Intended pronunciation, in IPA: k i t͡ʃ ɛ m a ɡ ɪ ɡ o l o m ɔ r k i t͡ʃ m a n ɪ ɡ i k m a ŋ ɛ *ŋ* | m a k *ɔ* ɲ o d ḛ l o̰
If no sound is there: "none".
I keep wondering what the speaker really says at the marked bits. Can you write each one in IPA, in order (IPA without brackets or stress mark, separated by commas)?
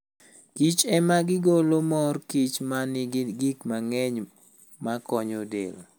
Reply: ɲ, ɔ